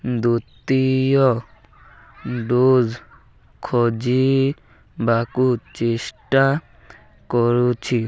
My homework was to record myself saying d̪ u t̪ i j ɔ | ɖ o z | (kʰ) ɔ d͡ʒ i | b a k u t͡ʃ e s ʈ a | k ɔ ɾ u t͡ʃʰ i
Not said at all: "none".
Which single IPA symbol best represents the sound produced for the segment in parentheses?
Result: kʰ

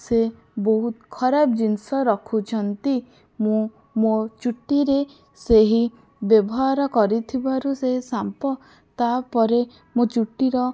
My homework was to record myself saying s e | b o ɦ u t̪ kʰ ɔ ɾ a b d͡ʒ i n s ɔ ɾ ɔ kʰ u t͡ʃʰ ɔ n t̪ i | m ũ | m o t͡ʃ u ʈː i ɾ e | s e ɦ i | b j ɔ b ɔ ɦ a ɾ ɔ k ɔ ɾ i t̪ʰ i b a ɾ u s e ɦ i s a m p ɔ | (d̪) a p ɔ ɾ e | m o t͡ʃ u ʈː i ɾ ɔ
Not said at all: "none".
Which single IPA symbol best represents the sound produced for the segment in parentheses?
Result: t̪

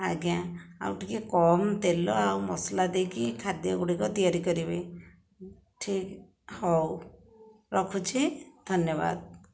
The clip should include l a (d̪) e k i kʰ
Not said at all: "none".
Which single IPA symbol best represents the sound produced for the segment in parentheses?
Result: d̪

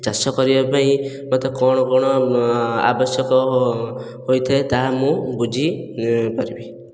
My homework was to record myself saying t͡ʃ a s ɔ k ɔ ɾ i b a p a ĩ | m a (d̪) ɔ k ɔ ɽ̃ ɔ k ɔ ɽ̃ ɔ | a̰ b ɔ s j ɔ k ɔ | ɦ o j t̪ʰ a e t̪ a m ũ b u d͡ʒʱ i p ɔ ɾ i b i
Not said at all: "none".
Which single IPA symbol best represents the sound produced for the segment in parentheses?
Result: t̪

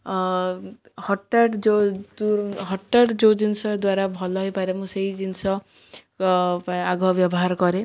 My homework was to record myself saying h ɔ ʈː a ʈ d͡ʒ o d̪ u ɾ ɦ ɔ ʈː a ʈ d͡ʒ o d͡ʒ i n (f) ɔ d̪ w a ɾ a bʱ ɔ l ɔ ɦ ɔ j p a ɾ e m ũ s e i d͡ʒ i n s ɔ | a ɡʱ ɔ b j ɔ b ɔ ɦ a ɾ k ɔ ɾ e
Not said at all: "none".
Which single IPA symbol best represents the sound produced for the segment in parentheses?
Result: s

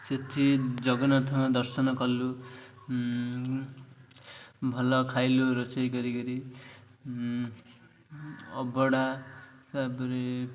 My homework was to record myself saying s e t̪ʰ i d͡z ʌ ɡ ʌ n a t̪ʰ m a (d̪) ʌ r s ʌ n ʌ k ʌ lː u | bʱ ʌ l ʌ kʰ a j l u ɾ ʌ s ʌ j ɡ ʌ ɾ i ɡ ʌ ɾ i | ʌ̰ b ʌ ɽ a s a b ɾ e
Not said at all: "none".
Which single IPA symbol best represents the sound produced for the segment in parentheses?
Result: d̪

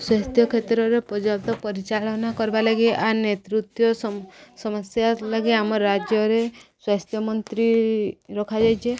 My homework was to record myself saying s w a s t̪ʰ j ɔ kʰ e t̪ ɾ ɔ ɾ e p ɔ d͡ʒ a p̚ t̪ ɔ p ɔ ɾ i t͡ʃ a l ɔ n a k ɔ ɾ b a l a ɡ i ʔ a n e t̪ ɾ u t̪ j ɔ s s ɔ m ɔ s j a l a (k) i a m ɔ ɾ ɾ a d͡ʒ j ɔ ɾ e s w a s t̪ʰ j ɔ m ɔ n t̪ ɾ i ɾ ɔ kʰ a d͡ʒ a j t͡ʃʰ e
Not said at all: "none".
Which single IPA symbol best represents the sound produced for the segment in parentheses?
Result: ɡ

